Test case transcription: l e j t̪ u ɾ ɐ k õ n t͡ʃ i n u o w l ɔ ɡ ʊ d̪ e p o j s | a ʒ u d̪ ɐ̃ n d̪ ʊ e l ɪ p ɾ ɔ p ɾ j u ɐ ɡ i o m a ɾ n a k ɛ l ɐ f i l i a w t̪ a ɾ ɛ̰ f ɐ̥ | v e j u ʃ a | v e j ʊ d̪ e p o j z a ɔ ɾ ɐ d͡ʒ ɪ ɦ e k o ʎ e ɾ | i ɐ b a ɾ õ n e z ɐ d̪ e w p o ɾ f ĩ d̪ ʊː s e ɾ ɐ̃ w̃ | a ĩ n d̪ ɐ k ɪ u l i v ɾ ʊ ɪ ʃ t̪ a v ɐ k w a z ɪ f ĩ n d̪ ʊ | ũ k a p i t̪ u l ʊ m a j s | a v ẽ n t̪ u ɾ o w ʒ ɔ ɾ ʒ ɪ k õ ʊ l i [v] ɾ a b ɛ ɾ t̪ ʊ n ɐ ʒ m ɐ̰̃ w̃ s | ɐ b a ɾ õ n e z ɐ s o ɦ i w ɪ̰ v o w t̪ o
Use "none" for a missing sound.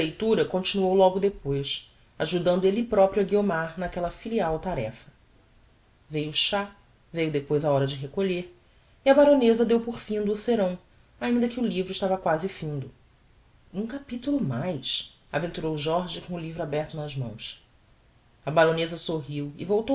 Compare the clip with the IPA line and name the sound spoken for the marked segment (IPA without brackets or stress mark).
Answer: v